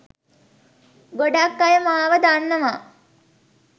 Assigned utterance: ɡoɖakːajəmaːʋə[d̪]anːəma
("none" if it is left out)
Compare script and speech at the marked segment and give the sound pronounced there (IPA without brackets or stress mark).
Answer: d̪